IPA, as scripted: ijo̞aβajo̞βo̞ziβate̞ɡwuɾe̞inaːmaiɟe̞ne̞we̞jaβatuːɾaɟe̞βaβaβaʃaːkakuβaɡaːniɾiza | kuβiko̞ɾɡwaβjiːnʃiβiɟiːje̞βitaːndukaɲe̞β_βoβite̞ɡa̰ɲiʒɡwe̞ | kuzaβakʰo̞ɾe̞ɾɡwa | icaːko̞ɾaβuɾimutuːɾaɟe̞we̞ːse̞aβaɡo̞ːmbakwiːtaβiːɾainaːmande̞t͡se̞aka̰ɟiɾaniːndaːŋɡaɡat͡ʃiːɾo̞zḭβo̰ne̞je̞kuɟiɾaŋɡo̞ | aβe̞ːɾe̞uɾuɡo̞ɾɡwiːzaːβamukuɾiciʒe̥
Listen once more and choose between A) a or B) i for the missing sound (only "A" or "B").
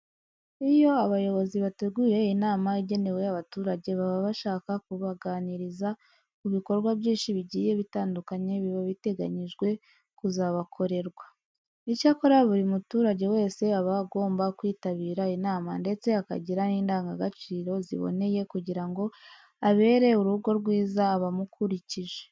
B